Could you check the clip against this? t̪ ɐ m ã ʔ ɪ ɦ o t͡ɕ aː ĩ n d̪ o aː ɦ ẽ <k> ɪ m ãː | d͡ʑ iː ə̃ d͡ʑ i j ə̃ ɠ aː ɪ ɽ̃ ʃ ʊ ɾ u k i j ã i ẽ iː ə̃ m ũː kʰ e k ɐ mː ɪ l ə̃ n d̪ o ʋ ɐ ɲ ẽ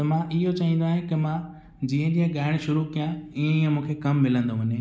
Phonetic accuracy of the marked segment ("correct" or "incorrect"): correct